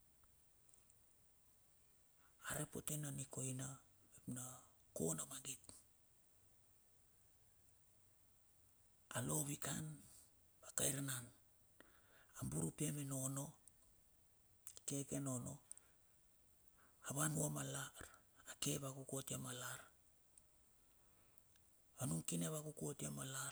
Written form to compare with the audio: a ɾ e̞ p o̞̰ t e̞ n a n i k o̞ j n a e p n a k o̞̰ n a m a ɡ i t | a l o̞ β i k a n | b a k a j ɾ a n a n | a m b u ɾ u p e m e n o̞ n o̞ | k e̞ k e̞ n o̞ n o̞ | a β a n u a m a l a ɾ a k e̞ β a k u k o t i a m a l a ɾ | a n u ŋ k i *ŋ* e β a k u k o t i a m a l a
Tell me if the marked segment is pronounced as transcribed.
no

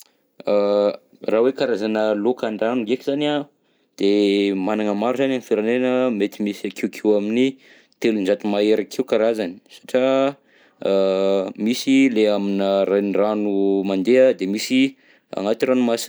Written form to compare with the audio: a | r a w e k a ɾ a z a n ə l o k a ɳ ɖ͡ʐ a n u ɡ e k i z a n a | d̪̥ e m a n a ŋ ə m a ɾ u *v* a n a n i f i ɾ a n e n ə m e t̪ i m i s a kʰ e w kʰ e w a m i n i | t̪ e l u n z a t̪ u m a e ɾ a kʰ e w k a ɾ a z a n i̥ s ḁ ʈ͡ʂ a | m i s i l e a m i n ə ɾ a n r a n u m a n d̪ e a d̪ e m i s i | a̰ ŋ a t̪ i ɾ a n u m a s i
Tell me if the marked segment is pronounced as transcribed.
no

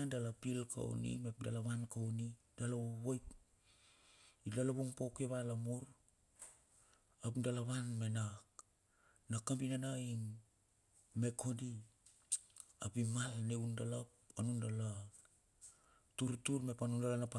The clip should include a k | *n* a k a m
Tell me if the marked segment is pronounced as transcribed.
yes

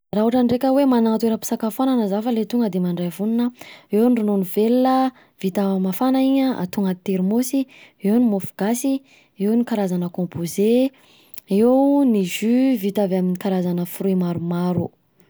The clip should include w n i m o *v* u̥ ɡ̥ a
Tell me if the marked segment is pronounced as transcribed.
no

